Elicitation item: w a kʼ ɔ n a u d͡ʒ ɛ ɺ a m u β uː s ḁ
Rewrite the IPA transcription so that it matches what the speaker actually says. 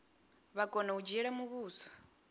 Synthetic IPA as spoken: β a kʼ ɔ n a u d͡ʒ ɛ ɺ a m u β uː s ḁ